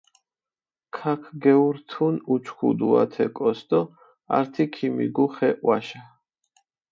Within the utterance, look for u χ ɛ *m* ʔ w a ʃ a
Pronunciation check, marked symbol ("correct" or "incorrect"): incorrect